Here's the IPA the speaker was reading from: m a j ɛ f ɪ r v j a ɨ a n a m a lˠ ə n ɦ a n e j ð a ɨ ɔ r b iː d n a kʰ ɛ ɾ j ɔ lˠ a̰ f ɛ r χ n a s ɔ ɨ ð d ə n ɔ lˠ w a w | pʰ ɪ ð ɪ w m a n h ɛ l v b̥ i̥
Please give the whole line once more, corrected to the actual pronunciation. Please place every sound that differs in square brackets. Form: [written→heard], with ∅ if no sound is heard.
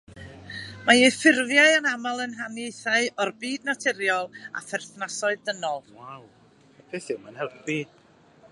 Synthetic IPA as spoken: m a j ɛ f ɪ r v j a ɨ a n a m a lˠ ə n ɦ a n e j [ð→θ] a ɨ ɔ r b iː d n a [kʰ→tʰ] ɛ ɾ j ɔ lˠ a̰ f ɛ r [χ→θ] n a s ɔ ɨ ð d ə n ɔ lˠ w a w | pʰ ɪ [ð→θ] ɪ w m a n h ɛ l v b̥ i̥